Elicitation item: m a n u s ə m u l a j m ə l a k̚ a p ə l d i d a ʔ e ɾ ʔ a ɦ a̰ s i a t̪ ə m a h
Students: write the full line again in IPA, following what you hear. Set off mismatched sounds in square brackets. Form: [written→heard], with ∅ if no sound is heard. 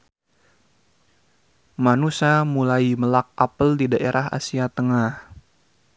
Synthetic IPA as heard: m a n u s [ə→a] m u l a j m ə l a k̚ a p ə l d i d a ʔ e ɾ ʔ a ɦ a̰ s i a t̪ ə [m→ŋ] a h